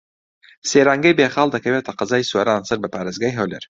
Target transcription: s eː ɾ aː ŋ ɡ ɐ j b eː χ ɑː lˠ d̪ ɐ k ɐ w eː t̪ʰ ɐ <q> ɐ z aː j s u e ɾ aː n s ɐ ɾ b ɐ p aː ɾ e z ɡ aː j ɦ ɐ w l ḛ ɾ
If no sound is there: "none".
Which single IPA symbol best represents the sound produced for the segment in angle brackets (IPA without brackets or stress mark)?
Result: q